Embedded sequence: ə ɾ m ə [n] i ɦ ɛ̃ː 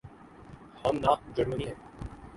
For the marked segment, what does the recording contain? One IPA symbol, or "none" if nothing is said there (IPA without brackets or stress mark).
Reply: n